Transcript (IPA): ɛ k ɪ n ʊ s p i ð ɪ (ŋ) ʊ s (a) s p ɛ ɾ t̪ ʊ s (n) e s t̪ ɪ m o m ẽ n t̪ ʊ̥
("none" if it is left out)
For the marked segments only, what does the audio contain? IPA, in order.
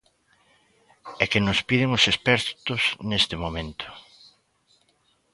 ŋ, e, n

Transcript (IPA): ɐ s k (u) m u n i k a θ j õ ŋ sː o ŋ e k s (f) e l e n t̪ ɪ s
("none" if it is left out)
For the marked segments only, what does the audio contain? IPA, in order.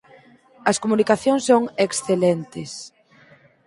o, θ

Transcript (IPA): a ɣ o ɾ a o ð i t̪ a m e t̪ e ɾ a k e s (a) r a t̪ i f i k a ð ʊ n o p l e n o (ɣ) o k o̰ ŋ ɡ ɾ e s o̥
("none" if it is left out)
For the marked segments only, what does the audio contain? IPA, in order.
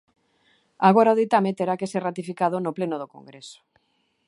e, ð

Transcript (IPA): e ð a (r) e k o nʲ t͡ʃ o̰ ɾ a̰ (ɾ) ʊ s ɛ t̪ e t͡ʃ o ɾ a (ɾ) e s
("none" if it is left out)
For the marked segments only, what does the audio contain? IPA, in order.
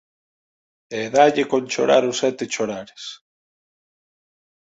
ʎ, ɾ, ɾ

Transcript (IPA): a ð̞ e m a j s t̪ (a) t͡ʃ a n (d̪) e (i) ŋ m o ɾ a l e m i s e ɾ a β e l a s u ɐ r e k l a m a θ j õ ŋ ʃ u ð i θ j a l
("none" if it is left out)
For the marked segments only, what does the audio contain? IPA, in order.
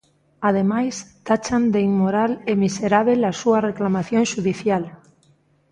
a, d̪, i

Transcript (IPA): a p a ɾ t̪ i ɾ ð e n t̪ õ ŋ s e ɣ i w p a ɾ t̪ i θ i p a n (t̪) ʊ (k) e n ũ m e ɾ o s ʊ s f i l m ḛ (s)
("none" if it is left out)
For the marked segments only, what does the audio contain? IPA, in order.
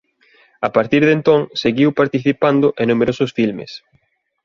d̪, ʔ, s

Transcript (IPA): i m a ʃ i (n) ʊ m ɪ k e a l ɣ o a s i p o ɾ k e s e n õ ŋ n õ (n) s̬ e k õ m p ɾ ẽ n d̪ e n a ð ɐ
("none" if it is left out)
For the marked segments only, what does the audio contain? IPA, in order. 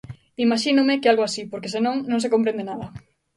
n, ŋ

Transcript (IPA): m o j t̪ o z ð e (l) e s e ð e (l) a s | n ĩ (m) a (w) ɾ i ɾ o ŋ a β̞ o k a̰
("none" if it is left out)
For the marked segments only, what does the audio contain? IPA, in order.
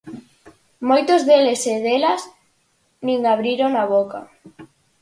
l, l, ŋ, β

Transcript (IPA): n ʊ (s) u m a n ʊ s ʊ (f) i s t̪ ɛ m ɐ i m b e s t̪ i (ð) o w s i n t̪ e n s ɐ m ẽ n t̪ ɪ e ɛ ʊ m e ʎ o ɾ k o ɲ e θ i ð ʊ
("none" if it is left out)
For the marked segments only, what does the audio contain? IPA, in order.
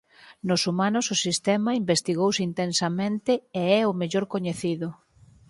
s, s, ɣ

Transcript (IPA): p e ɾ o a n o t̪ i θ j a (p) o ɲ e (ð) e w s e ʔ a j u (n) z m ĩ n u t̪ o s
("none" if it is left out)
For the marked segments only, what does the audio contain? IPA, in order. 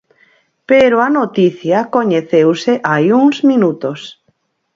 k, θ, ŋ

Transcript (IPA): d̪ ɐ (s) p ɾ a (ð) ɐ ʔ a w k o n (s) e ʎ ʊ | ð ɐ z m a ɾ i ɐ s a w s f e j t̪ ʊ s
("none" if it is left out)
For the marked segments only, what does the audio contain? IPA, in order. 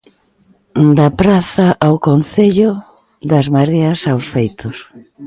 none, θ, θ

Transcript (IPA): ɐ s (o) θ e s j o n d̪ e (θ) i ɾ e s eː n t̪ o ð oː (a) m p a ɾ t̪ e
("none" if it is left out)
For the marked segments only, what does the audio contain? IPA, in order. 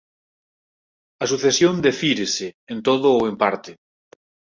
u, f, e

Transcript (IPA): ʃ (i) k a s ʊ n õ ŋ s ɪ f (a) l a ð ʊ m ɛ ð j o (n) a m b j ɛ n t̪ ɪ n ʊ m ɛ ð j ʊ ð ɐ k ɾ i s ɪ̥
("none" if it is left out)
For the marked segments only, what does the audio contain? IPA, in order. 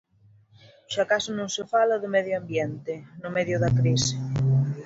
a, a, none

